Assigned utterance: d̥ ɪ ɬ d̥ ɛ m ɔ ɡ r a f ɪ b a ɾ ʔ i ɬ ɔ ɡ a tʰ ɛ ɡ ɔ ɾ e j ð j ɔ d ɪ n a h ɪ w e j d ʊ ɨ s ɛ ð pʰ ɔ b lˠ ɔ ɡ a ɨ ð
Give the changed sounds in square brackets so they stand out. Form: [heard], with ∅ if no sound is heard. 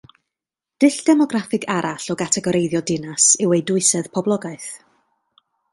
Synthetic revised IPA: d̥ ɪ ɬ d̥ ɛ m ɔ ɡ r a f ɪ [ɡ] a ɾ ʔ [a] ɬ ɔ ɡ a tʰ ɛ ɡ ɔ ɾ e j ð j ɔ d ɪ n a [s] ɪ w e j d ʊ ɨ s ɛ ð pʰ ɔ b lˠ ɔ ɡ a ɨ [θ]